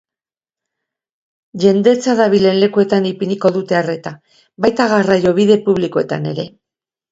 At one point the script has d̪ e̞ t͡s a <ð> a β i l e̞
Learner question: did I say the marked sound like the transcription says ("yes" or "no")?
yes